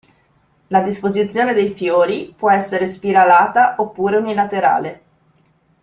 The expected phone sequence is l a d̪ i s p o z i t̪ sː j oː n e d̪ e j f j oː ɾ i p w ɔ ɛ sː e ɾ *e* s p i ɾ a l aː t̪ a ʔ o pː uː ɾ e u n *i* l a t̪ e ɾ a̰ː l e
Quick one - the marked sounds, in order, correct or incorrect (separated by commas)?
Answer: correct, correct